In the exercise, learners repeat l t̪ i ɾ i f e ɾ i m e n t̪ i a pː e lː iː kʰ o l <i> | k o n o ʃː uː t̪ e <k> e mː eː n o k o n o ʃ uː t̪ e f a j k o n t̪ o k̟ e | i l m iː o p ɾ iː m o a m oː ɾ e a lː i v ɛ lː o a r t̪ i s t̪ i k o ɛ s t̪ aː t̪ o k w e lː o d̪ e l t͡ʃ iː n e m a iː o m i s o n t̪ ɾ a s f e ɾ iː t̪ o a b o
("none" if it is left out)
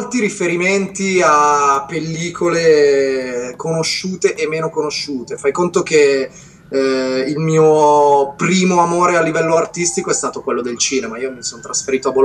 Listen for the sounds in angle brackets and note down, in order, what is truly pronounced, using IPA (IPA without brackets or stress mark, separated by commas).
e, ʔ